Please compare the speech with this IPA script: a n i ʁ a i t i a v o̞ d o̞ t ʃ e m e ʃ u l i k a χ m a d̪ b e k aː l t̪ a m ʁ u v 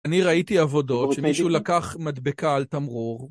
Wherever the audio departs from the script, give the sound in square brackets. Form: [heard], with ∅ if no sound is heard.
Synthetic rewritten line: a n i ʁ a i t i a v o̞ d o̞ t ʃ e m [i] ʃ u l [a] k a χ m a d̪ b e k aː l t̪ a m ʁ u [ʁ]